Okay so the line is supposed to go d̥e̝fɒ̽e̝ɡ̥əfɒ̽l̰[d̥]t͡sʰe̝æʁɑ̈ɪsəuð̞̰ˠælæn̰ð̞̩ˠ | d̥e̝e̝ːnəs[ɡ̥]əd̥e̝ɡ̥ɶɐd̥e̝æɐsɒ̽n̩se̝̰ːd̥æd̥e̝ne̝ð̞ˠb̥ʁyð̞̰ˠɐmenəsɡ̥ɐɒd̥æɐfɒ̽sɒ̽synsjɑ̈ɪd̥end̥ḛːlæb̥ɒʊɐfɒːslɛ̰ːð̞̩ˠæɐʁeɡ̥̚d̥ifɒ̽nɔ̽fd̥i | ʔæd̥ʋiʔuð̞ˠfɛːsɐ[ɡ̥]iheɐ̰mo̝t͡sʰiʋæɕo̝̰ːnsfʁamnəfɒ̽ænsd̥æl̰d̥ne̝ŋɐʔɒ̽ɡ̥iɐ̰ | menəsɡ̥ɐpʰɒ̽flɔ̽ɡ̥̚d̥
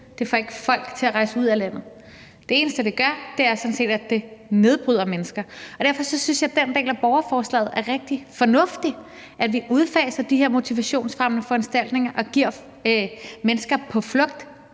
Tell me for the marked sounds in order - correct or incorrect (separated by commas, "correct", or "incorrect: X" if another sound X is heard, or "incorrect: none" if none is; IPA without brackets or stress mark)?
incorrect: ɡ̥, incorrect: d̥, incorrect: d̥